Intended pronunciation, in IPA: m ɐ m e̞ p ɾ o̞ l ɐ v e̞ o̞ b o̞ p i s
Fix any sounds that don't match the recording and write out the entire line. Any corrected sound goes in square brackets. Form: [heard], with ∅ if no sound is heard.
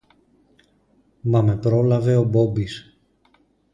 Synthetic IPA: m ɐ m e̞ p ɾ o̞ l ɐ v e̞ o̞ b o̞ [b] i s